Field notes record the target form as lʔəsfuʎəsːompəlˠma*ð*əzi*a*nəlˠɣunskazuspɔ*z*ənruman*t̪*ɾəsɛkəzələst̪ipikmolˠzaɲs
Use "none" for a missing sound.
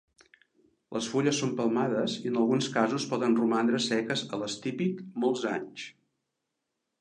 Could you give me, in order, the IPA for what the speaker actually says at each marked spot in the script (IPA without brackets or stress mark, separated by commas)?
ð, ə, ð, d̪